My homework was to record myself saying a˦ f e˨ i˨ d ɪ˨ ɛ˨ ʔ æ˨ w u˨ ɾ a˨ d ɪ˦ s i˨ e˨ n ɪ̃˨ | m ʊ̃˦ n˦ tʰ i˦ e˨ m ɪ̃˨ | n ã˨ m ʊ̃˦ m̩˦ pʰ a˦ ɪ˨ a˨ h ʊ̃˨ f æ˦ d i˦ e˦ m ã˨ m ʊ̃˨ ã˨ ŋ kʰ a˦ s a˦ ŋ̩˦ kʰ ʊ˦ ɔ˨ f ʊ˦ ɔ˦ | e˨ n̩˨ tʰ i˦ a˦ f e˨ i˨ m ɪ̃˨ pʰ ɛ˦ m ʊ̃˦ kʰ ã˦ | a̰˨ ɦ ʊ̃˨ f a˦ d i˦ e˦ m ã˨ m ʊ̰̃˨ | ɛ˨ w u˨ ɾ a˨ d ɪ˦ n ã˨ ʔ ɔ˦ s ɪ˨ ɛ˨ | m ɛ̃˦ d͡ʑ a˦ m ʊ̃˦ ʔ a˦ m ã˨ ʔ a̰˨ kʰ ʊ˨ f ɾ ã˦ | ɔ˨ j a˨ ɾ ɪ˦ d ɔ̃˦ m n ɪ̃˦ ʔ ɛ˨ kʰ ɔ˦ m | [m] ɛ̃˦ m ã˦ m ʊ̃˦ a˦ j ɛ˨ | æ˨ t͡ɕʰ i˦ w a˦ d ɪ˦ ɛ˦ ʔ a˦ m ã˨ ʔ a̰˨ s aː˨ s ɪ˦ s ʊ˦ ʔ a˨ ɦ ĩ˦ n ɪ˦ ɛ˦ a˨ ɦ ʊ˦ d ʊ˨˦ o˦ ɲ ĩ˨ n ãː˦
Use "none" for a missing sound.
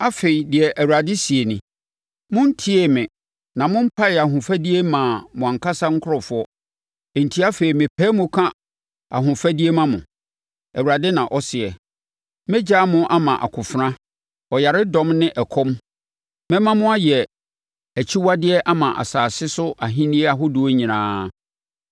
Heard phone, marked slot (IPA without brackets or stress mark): m